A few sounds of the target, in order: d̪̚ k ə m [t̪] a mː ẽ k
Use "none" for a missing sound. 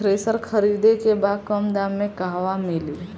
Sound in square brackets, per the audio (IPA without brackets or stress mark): d̪